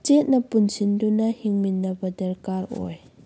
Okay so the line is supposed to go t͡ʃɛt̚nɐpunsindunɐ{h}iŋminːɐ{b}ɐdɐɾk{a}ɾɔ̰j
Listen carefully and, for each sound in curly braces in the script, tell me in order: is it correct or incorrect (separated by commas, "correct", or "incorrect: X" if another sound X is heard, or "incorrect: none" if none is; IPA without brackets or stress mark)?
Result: correct, correct, correct